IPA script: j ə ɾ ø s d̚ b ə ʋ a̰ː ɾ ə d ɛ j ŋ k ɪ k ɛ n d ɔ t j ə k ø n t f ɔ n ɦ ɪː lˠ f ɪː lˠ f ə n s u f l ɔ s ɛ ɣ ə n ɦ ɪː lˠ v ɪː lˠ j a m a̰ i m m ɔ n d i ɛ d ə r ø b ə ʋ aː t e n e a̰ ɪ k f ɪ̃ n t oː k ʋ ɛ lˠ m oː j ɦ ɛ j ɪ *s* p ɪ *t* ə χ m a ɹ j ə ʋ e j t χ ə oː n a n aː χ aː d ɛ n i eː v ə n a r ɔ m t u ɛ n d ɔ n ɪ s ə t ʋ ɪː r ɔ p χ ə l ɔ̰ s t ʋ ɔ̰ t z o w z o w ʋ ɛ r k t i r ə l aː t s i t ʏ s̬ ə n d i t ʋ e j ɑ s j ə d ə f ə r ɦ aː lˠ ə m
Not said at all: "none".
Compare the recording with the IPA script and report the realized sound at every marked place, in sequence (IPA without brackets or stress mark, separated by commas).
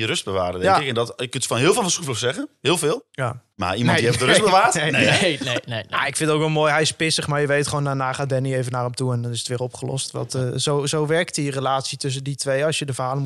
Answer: s, s